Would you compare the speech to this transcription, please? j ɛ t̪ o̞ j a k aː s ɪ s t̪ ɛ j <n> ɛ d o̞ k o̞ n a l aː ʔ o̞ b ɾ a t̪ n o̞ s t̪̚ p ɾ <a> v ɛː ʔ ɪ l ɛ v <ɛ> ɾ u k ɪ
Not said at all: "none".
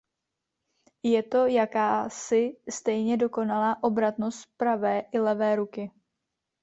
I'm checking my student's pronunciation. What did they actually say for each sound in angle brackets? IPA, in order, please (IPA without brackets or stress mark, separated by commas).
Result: ɲ, a, ɛː